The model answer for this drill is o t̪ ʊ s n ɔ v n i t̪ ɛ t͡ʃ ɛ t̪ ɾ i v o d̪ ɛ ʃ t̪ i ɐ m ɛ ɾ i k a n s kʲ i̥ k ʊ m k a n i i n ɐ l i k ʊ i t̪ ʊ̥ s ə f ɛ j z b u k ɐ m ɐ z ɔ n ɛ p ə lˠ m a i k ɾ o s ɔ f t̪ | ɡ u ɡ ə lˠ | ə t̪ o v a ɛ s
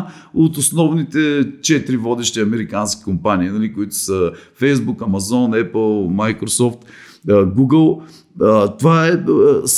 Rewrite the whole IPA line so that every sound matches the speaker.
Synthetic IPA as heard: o t̪ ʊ s n ɔ v n i t̪ ɛ t͡ʃ ɛ t̪ ɾ i v ɔ d̪ ɛ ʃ t̪ i ɐ m ɛ ɾ i k a n s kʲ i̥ k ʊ m p a n i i n ɐ l i k ʊ i t̪ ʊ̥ s ə f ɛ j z b u k ɐ m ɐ z ɔ n ɛ p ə lˠ m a j k ɾ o s ɔ f t̪ | ɡ u ɡ ə lˠ | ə t̪ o v a ɛ s